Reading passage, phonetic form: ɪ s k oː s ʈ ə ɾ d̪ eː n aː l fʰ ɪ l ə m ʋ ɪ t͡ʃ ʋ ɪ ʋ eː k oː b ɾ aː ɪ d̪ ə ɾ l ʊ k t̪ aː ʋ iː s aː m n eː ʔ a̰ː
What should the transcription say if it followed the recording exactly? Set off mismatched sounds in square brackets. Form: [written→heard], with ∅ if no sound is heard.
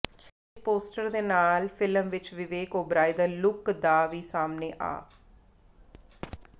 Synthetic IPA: ɪ s [k→p] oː s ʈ ə ɾ d̪ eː n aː l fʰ ɪ l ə m ʋ ɪ t͡ʃ ʋ ɪ ʋ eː k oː b ɾ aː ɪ d̪ ə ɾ l ʊ k [t̪→d̪] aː ʋ iː s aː m n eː ʔ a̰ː